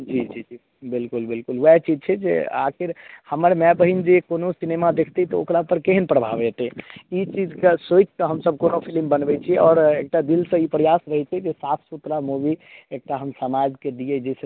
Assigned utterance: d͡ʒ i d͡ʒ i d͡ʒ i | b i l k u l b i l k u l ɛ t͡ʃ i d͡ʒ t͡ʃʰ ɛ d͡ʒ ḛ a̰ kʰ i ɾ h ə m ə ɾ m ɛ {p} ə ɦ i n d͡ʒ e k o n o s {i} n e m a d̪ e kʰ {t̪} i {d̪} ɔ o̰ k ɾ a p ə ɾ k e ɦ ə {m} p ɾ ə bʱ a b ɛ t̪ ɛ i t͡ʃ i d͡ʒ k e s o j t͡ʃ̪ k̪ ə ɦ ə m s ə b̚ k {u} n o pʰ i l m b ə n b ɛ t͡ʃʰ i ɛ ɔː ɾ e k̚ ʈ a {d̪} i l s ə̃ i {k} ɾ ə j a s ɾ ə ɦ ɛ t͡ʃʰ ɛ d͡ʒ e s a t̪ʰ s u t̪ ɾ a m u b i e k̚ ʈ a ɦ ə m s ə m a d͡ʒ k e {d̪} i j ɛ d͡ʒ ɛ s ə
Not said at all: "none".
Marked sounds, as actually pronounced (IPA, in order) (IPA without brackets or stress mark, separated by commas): b, i, t̪, t̪, n, o, d̪, p, d̪